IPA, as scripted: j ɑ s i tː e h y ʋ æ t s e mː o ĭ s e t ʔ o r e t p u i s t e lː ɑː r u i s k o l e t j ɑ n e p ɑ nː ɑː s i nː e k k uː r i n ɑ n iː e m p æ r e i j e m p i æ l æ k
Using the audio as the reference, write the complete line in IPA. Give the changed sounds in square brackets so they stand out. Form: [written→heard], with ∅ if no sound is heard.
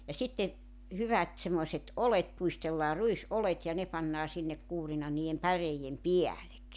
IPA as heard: j ɑ s i tː e h y ʋ æ t s e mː o ĭ s e t ʔ o [r→l] e t p u i s t e lː ɑː r u i s [k→ʔ] o l e t j ɑ n e p ɑ nː ɑː s i nː e k k uː r i n ɑ n iː e m p æ r e i j e m p i æ l [æ→e] k